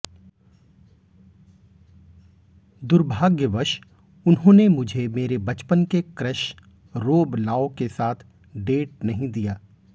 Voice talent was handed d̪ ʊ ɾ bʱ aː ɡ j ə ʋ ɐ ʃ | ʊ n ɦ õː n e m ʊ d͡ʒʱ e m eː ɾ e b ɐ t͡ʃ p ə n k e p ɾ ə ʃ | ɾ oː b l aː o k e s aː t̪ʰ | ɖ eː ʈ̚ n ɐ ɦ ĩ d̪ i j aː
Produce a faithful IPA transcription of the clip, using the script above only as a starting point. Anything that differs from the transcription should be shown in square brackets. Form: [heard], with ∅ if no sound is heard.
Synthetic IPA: d̪ ʊ ɾ bʱ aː ɡ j ə ʋ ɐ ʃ | ʊ n ɦ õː n e m ʊ d͡ʒʱ e m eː ɾ e b ɐ t͡ʃ p ə n k e [k] ɾ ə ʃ | ɾ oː b l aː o k e s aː t̪ʰ | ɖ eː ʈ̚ n ɐ ɦ ĩ d̪ i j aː